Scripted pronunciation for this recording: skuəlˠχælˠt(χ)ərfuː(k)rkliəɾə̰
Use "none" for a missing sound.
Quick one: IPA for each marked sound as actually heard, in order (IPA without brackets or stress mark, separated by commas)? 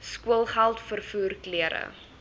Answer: f, none